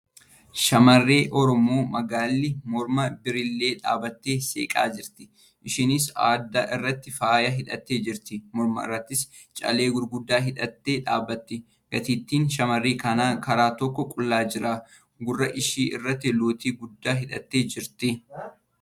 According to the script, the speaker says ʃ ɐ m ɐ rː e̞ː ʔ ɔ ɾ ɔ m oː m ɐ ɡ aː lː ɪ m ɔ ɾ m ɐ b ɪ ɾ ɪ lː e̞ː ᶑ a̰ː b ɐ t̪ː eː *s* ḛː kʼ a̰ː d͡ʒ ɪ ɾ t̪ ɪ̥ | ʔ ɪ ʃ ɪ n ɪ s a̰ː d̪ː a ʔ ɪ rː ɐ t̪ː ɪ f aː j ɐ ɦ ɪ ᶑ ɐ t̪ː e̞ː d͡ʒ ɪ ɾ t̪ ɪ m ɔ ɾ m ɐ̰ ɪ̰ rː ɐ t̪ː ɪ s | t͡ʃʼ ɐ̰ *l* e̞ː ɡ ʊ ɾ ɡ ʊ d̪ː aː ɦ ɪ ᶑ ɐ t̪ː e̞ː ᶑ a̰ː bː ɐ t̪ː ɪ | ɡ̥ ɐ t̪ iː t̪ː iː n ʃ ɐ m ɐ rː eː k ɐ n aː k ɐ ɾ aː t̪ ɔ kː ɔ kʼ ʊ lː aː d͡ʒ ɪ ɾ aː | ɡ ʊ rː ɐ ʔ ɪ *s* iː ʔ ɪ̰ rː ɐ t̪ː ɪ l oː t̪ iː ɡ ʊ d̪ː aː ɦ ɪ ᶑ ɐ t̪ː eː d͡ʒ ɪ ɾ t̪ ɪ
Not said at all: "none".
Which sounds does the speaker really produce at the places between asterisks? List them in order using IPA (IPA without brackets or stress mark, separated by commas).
s, l, ʃ